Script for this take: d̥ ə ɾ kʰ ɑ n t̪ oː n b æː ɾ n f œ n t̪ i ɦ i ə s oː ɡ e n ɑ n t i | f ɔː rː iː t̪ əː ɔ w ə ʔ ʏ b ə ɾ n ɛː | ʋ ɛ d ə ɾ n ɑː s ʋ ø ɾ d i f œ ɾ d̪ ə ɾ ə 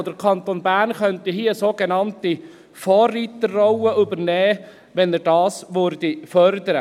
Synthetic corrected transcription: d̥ ə ɾ kʰ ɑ n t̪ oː n b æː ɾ n χ œ n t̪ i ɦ i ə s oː ɡ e n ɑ n t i | f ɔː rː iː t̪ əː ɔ w ə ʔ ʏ b ə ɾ n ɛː | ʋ ɛ n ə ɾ d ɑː s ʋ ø ɾ d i f œ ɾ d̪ ə ɾ ə

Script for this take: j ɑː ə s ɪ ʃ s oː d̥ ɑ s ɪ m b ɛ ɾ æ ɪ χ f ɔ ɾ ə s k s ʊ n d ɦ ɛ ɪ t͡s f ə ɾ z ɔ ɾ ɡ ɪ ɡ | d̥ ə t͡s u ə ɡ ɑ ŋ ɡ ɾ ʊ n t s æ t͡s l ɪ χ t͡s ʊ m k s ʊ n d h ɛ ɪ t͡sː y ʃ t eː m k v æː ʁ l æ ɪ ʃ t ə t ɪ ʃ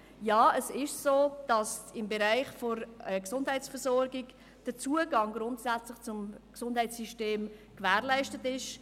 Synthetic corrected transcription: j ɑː ə s ɪ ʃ s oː d̥ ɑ s ɪ m b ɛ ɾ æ ɪ χ f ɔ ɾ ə k s ʊ n d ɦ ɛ ɪ t͡s f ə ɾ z ɔ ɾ ɡ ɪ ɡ | d̥ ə t͡s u ə ɡ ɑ ŋ ɡ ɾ ʊ n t s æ t͡s l ɪ χ t͡s ʊ m k s ʊ n d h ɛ ɪ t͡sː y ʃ t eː m k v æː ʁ l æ ɪ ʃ t ə t ɪ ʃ

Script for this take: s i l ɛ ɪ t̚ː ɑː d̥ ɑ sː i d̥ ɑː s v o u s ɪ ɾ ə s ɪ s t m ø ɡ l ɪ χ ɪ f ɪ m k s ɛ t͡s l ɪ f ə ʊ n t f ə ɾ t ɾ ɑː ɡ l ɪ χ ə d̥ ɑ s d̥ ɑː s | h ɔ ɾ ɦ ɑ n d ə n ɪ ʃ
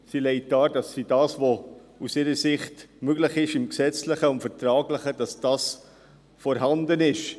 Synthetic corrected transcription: s i l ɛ ɪ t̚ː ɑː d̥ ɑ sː i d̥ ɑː s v o u s ɪ ɾ ə s ɪ χ t m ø ɡ l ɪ χ ɪ ʃ ɪ m k s ɛ t͡s l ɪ χ ə ʊ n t f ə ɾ t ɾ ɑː ɡ l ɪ χ ə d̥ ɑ s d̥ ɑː s | f ɔ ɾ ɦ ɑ n d ə n ɪ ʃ

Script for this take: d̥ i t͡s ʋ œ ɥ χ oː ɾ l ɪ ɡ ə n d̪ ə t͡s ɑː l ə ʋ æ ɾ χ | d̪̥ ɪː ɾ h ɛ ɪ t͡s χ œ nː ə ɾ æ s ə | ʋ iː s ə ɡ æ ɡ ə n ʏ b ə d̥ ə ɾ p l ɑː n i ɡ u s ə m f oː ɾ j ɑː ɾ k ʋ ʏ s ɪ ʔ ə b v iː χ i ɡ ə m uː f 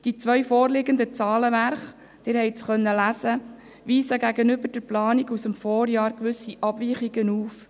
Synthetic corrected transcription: d̥ i t͡s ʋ œ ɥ f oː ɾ l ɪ ɡ ə n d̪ ə t͡s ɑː l ə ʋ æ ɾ χ | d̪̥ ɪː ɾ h ɛ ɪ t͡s χ œ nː ə l æ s ə | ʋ iː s ə ɡ æ ɡ ə n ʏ b ə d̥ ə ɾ p l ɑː n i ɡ u s ə m f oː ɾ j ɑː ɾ k ʋ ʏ s i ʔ ɑ b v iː χ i ɡ ə n uː f

